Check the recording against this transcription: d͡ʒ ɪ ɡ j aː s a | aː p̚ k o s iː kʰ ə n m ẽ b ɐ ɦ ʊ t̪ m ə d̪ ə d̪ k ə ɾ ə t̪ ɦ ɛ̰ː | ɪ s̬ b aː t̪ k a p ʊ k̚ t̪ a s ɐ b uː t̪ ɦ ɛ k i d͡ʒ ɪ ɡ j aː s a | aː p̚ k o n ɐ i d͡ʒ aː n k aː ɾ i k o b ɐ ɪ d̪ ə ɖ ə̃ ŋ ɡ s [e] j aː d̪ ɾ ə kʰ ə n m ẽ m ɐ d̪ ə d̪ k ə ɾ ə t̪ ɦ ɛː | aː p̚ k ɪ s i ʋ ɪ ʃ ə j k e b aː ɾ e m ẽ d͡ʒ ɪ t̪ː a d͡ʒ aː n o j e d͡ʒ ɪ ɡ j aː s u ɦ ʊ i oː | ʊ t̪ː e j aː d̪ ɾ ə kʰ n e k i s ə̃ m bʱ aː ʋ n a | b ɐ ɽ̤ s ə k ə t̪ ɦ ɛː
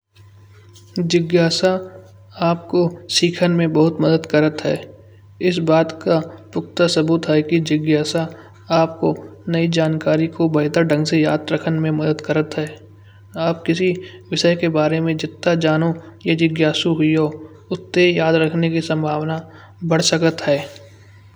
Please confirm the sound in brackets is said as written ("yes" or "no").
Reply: yes